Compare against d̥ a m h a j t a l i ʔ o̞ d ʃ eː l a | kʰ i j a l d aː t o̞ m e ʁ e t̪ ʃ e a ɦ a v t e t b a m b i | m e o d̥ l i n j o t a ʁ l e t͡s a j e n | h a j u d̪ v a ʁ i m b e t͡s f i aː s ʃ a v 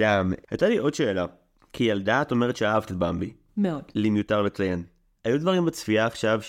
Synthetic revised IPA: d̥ a m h a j t a l i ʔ o̞ d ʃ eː l a | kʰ i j a l d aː t o̞ m e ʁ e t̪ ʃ e a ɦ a v t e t b a m b i | m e o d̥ l i m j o t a ʁ l e t͡s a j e n | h a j u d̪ v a ʁ i m b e t͡s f i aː χ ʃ a v